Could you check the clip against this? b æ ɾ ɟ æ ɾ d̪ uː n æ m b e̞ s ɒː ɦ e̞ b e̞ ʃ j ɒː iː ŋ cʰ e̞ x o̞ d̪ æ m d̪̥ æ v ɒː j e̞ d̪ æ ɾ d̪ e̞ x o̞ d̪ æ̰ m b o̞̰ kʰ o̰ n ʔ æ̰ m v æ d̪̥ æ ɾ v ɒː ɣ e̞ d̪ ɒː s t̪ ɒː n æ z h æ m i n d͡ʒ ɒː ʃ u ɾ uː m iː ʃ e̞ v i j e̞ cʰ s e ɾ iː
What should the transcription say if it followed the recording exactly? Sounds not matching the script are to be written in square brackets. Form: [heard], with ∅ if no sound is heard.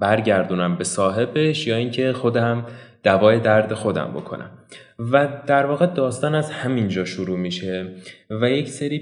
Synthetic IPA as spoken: b æ ɾ ɟ æ ɾ d̪ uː n æ m b e̞ s ɒː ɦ e̞ b e̞ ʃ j ɒː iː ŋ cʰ e̞ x o̞ d̪ æ m d̪̥ æ v ɒː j e̞ d̪ æ ɾ d̪ e̞ x o̞ d̪ æ̰ m b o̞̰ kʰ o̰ n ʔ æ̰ m v æ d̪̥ æ ɾ v ɒː ɣ e̞ d̪ ɒː s t̪ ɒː n æ z h æ m i n d͡ʒ ɒː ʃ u ɾ uː m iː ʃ e̞ v [æ] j e̞ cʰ s e ɾ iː